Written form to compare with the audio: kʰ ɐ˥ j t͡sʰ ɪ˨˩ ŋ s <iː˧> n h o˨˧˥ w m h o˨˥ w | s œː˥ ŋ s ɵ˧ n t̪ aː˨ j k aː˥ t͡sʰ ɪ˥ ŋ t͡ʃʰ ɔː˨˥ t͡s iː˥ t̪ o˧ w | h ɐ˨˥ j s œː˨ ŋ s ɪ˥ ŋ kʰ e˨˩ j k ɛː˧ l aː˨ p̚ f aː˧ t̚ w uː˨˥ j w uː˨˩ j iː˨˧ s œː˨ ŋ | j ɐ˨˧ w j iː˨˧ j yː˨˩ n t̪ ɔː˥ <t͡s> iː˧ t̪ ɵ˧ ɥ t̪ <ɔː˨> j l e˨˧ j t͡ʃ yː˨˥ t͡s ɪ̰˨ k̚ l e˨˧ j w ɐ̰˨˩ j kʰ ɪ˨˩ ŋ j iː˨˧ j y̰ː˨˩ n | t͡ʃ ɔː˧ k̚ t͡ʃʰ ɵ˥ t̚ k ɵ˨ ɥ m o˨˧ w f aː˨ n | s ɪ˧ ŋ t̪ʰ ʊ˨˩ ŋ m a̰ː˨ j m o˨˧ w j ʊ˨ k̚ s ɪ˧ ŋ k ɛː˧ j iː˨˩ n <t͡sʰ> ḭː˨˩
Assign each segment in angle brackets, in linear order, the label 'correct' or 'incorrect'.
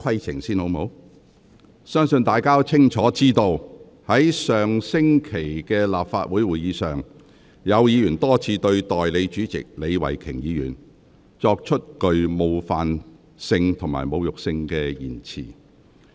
incorrect, incorrect, correct, correct

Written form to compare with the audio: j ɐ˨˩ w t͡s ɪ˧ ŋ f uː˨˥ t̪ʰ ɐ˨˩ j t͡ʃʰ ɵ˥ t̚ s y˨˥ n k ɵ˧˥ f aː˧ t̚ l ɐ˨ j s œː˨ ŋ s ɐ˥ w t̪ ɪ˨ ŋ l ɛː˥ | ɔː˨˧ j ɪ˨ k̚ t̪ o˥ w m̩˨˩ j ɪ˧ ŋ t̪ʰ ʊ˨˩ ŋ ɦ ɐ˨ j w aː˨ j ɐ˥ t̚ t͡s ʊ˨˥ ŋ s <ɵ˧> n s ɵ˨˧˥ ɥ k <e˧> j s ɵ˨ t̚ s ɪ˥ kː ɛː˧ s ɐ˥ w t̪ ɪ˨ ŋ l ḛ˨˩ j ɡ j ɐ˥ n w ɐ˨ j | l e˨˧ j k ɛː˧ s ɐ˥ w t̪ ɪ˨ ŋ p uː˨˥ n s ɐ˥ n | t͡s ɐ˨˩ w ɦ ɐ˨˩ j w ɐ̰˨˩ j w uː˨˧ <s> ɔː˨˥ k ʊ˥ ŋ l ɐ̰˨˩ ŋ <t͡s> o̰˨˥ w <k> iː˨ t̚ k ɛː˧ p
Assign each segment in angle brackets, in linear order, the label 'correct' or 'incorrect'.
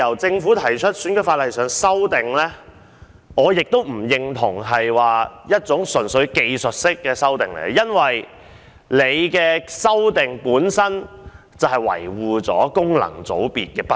incorrect, correct, incorrect, correct, incorrect

